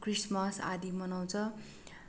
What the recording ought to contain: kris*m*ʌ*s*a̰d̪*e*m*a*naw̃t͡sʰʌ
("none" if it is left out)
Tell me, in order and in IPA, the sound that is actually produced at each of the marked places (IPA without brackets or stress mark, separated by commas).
m, s, i, ʌ